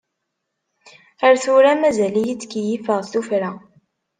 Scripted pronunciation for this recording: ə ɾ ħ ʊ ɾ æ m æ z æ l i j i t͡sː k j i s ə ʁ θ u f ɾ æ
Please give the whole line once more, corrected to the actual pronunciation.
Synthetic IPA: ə ɾ θ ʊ ɾ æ m æ z æ l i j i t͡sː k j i f ə ʁ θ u f ɾ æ